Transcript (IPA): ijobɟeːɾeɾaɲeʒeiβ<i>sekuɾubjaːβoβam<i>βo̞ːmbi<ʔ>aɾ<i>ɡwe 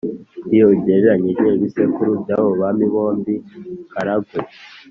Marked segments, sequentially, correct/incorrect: correct, correct, incorrect, incorrect

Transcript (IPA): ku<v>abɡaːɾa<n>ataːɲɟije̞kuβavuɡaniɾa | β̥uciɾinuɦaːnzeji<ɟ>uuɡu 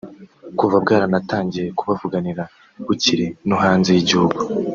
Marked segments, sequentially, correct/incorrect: correct, correct, correct

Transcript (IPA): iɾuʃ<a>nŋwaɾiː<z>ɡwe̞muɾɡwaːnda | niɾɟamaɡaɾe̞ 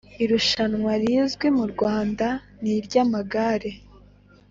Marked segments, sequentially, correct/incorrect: correct, correct

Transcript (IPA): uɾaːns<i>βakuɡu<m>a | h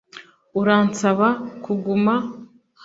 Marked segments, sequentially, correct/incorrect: incorrect, correct

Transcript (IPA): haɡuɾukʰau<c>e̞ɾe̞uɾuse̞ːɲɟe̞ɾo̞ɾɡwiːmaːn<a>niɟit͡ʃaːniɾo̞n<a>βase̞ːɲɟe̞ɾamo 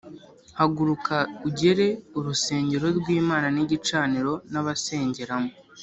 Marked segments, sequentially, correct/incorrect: incorrect, correct, correct

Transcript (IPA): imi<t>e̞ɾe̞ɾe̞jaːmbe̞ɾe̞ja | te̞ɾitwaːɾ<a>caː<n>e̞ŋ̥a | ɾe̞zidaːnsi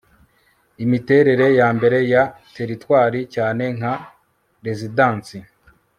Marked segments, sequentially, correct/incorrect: correct, incorrect, correct

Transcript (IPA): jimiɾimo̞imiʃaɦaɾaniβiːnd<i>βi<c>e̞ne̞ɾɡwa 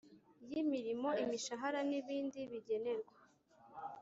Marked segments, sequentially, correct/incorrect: correct, incorrect

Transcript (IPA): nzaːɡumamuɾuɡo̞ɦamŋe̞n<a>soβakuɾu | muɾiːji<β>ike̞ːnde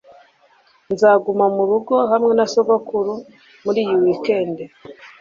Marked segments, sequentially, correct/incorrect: correct, incorrect

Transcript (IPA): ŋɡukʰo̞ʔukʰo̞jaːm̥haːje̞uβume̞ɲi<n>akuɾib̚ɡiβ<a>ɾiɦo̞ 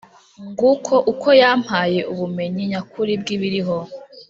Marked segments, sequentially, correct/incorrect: incorrect, incorrect

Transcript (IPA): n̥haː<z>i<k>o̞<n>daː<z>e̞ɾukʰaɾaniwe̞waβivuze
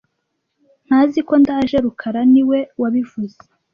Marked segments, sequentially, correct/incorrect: correct, correct, correct, incorrect

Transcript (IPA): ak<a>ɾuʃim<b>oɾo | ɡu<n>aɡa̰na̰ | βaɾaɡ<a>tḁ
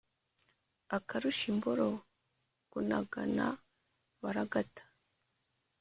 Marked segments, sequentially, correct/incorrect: correct, correct, correct, correct

